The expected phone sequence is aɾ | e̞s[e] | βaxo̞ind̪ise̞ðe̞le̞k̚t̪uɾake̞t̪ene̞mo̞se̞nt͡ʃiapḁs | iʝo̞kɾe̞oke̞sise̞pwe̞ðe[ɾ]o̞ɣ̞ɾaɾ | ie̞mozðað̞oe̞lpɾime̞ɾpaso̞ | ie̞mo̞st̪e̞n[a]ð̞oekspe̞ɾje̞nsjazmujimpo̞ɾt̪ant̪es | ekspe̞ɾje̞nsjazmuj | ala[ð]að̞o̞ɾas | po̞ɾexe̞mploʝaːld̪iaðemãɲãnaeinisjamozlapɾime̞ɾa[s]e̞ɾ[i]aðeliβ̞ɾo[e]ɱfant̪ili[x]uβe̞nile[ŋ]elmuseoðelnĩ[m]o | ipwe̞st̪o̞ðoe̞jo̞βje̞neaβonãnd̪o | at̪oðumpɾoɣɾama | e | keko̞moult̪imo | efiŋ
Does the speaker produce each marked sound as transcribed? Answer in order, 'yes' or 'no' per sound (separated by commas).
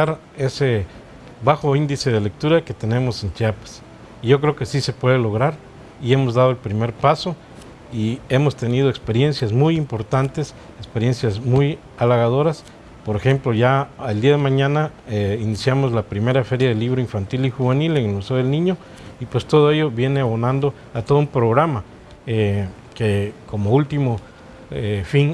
yes, no, no, no, no, no, no, yes, yes, no